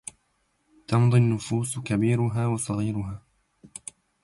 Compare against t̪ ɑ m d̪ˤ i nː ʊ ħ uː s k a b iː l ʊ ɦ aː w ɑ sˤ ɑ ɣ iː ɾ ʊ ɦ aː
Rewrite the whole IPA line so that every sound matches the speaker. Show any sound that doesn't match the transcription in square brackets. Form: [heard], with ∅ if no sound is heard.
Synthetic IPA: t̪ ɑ m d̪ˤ i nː ʊ [f] uː s k a b iː [ɾ] ʊ ɦ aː w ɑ sˤ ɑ ɣ iː ɾ ʊ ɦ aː